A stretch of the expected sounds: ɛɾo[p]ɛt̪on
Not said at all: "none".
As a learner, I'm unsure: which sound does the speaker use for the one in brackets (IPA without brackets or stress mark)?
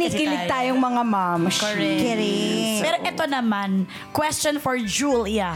ʔ